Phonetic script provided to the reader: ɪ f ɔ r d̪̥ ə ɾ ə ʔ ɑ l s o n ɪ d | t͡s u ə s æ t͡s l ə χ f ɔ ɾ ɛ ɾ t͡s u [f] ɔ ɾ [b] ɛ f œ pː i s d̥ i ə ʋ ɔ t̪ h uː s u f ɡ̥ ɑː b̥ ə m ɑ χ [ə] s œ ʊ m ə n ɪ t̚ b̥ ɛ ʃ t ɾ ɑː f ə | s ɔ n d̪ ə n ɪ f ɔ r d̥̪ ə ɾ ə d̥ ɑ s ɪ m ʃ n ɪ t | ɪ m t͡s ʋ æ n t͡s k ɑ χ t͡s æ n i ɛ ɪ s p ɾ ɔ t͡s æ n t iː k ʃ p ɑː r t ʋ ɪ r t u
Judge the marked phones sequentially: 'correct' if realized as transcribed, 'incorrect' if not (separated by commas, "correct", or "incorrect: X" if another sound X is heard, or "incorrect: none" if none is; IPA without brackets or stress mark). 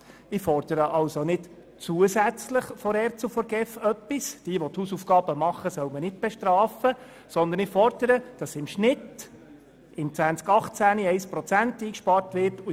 correct, incorrect: ɡ, correct